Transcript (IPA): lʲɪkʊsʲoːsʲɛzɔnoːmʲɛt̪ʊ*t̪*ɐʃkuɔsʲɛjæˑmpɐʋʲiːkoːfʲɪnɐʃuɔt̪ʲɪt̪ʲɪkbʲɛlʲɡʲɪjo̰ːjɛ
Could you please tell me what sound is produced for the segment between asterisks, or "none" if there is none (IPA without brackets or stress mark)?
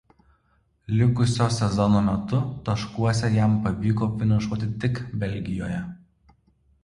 t̪